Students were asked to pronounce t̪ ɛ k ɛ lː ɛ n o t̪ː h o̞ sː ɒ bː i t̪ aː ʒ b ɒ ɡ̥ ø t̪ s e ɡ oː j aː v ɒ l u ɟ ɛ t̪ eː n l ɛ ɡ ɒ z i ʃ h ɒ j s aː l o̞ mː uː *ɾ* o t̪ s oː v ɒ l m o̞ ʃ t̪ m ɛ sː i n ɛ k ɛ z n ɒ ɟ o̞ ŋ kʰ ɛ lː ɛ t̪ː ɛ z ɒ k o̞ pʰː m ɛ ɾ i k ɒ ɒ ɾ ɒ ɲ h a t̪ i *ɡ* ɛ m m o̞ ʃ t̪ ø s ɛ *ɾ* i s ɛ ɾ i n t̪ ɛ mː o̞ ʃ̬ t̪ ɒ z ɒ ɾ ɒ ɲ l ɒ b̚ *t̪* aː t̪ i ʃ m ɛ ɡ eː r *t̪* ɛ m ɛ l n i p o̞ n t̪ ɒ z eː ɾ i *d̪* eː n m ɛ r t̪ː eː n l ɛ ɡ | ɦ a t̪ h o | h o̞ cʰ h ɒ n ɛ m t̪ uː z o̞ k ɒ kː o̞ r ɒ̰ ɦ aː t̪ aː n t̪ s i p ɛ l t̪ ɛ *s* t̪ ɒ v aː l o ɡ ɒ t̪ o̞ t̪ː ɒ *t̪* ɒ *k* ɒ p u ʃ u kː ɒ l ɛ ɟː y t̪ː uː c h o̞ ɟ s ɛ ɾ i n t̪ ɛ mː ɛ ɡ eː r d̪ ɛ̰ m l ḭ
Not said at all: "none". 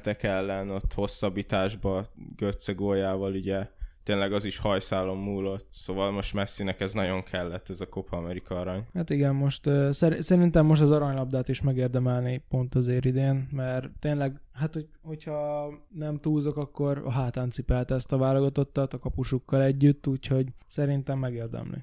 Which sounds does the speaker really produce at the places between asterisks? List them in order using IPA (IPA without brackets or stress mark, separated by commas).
l, ɡ, ɾ, d̪, d̪, d̪, s, t̪, k